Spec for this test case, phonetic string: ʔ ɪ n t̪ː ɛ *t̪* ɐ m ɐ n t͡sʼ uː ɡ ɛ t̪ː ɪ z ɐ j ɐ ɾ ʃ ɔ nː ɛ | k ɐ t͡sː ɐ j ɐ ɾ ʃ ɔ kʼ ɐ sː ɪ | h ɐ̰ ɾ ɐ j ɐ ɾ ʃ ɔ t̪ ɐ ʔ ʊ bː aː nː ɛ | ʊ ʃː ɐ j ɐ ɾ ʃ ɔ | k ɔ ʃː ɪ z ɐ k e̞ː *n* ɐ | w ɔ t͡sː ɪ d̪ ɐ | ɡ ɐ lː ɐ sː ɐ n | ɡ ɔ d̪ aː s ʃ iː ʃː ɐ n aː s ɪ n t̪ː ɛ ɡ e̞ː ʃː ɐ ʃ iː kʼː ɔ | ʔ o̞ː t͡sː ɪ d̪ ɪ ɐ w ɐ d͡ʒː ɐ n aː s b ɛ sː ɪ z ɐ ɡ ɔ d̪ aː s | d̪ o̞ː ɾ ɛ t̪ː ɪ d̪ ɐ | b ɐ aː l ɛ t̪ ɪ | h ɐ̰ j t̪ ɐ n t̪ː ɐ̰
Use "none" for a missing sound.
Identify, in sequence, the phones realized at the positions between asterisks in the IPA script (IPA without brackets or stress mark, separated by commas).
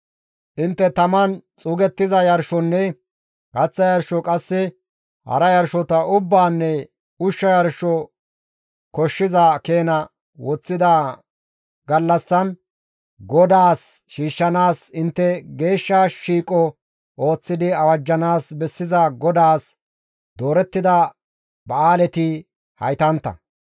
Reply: t̪, n